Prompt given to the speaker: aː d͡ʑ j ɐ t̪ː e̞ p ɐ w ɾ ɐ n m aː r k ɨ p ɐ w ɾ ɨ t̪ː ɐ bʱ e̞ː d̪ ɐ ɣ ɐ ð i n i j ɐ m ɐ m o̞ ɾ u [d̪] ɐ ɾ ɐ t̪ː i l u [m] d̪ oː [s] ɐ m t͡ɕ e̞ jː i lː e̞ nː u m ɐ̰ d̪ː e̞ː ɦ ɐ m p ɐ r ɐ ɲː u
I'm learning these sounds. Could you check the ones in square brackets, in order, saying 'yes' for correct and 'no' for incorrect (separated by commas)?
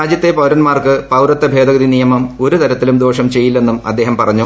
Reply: no, yes, no